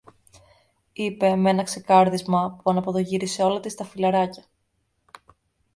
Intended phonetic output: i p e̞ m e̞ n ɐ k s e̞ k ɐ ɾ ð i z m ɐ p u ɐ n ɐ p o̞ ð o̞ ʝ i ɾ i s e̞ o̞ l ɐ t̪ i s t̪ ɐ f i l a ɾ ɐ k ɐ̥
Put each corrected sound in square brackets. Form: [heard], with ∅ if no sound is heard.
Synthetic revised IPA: i p e̞ m e̞ n ɐ k s e̞ k ɐ ɾ ð i z m ɐ p u ɐ n ɐ p o̞ ð o̞ ʝ i ɾ i s e̞ o̞ l ɐ t̪ i s t̪ ɐ f i l [ɐ] ɾ ɐ [c] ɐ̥